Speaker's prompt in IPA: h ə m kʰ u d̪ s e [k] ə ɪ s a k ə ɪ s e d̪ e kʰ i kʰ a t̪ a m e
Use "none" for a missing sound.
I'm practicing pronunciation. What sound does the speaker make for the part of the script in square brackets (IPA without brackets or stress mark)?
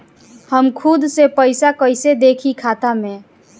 p